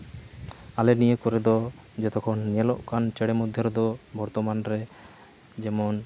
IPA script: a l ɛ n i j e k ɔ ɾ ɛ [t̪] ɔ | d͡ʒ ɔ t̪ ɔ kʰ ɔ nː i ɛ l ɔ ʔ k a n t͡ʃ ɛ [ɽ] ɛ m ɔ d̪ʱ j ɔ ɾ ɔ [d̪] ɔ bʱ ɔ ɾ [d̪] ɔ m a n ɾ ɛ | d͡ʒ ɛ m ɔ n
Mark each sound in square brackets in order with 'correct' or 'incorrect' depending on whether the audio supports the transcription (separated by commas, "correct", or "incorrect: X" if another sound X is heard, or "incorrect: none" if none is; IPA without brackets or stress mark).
incorrect: d̪, correct, correct, incorrect: t̪